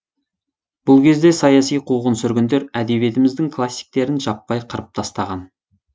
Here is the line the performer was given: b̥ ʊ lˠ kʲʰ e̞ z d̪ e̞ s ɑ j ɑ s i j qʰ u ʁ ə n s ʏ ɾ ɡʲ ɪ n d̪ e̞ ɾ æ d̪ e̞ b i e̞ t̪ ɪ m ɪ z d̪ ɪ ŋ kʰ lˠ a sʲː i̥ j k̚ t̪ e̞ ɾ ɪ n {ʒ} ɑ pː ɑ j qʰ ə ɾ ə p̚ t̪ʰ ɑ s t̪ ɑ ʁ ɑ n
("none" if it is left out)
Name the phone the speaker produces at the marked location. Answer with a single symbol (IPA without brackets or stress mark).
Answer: ʒ